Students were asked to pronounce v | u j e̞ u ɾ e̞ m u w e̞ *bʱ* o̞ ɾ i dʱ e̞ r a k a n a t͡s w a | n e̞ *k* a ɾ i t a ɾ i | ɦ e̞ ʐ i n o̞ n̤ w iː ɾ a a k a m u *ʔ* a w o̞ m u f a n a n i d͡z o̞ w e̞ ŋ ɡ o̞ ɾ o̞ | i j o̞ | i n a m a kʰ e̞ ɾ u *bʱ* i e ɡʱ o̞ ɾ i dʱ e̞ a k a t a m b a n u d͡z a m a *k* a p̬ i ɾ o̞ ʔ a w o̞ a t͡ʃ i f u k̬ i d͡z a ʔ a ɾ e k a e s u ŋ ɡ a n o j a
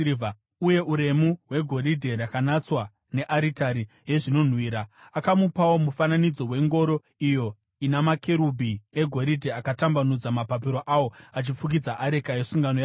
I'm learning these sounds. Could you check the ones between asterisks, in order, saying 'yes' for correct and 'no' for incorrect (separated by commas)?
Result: no, no, no, yes, no